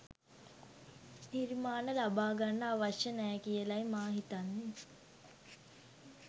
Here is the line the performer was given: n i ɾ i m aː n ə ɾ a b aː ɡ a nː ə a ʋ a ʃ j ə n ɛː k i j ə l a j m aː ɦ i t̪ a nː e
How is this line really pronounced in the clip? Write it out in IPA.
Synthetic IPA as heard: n i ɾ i m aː n ə l a b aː ɡ a nː ə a ʋ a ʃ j ə n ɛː k i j ə l a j m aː ɦ i t̪ a nː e